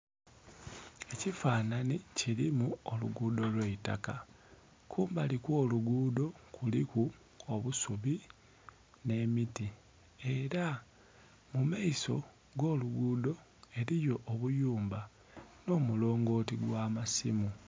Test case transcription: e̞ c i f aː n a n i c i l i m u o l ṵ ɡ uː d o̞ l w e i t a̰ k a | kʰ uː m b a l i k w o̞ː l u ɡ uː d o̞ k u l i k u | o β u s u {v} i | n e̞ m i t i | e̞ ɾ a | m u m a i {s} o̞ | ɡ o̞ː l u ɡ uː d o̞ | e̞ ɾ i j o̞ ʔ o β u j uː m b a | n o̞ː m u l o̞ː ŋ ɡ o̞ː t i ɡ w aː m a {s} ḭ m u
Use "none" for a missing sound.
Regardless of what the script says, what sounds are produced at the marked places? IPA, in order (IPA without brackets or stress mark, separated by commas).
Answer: β, s, s